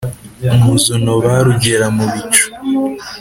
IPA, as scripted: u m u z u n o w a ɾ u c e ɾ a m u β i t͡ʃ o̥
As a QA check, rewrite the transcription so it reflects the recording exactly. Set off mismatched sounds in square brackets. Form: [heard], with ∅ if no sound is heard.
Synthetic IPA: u m u z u n o [β] a ɾ u [ɟ] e ɾ a m u β i t͡ʃ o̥